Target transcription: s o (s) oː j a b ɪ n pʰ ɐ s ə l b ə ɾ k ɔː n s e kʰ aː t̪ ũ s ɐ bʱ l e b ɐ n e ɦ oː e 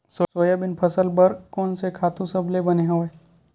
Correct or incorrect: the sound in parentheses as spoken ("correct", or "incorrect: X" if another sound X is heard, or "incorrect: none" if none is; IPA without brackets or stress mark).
correct